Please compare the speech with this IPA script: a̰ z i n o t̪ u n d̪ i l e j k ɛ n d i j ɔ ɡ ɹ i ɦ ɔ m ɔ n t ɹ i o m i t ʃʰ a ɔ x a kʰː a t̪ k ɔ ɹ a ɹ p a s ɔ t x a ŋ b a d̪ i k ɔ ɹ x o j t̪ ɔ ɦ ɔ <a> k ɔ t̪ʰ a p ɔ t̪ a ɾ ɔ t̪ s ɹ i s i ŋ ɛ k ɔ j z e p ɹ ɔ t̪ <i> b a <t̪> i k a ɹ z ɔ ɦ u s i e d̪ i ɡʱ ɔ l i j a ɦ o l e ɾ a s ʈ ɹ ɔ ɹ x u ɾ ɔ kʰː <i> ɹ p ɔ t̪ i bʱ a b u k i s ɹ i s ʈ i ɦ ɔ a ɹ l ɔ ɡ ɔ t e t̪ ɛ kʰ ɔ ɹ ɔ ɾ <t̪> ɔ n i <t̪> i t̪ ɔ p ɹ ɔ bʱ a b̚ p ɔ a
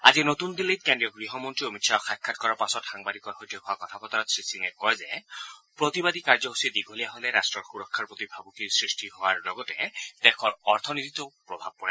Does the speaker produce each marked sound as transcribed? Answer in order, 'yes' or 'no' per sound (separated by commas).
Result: yes, yes, no, no, no, yes